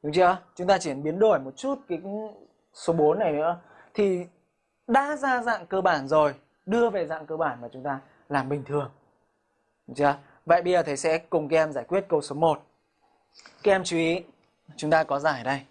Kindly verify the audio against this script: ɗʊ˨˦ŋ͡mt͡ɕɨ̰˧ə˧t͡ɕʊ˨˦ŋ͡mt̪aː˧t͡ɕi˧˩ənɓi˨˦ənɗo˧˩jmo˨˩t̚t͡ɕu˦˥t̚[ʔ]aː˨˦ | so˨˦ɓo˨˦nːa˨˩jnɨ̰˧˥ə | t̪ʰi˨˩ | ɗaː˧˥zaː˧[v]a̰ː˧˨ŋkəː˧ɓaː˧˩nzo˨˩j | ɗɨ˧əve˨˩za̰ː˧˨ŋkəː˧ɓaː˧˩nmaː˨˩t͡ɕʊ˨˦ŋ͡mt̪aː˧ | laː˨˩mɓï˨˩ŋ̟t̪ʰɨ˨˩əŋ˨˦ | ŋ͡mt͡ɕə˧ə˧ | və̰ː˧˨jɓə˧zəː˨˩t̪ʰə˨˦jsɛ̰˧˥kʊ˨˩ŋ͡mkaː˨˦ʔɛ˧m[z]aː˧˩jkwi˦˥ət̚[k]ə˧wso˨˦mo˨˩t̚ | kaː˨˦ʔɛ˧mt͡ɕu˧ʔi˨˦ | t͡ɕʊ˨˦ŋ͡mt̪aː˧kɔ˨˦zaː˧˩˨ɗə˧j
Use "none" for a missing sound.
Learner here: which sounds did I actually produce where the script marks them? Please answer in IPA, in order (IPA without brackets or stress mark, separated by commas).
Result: k, z, z, k